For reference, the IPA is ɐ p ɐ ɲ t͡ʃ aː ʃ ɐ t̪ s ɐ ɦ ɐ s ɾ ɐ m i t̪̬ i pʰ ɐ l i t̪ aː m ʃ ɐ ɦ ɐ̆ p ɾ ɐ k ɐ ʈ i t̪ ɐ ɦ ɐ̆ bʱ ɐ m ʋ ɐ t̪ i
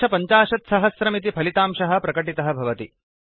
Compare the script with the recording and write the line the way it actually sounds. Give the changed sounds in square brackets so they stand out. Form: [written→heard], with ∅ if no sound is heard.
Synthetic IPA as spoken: ɐ p ɐ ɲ t͡ʃ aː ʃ ɐ t̪ s ɐ ɦ ɐ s ɾ ɐ m i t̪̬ i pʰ ɐ l i t̪ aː m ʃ ɐ ɦ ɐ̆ p ɾ ɐ k ɐ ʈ i t̪ ɐ ɦ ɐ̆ bʱ ɐ [m→∅] ʋ ɐ t̪ i